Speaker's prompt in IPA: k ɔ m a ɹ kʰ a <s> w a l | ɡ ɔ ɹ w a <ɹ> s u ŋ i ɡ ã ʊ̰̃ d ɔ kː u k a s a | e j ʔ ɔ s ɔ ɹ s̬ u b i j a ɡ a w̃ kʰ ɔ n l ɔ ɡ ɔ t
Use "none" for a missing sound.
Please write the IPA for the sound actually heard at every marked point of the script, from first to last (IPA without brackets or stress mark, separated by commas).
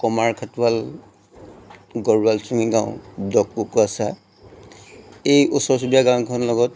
t, l